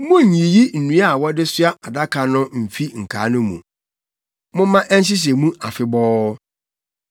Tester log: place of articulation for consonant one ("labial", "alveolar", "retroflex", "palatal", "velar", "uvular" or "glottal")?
labial